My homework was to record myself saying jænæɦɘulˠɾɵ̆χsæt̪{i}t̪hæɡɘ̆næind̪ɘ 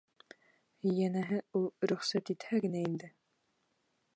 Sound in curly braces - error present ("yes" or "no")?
no